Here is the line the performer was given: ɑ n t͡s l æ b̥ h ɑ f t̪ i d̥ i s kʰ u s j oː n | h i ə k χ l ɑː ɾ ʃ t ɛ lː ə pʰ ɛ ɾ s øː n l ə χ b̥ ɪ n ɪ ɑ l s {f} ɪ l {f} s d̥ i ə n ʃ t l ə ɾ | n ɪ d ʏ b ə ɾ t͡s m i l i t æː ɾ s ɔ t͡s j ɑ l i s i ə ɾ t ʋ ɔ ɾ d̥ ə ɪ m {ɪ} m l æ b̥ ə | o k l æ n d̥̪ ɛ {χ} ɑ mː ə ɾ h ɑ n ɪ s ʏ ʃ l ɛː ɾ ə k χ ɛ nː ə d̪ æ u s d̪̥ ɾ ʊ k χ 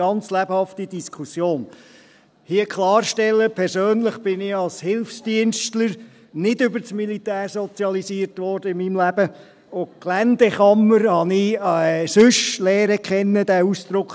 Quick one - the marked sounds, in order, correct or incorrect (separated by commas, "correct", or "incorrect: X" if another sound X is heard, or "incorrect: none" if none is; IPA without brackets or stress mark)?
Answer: incorrect: h, correct, incorrect: i, correct